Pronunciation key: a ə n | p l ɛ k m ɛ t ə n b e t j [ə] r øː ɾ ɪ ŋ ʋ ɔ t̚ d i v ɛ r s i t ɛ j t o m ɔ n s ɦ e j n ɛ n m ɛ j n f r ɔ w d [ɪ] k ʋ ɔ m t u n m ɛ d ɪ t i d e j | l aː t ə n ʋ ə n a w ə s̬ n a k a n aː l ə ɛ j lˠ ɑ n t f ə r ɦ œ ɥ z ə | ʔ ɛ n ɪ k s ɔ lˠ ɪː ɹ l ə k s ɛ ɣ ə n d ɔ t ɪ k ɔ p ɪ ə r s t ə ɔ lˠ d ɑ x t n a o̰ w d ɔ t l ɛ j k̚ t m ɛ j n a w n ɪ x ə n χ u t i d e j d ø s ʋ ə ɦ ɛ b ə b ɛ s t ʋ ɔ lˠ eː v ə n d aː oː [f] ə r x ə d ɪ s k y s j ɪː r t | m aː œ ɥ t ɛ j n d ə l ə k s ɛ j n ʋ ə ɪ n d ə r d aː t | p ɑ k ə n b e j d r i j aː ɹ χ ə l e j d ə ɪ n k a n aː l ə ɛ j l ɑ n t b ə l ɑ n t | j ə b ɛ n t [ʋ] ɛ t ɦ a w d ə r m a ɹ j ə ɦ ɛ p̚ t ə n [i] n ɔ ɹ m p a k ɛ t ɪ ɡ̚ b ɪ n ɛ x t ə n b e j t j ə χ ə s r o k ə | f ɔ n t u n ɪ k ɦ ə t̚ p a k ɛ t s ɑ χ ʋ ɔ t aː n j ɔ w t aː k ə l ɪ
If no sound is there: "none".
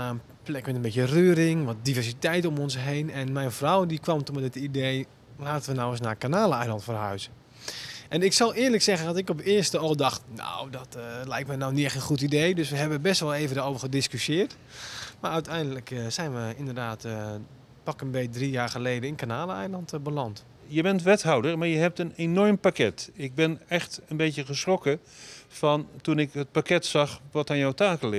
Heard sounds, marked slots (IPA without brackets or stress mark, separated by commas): ə, i, v, ʋ, e